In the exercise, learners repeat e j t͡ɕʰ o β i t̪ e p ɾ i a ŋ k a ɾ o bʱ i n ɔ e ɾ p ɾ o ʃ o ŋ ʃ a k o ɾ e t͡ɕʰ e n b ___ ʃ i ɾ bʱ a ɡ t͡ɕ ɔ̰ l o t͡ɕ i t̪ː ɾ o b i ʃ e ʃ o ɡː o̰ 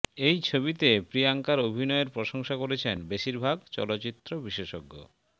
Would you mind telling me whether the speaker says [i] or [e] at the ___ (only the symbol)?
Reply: e